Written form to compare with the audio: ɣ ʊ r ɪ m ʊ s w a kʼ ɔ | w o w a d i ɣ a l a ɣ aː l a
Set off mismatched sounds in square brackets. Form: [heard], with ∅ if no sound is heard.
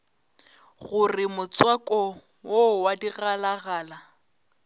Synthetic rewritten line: ɣ ʊ r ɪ m ʊ [t͡s] w a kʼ ɔ | w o w a d i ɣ a l a ɣ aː l a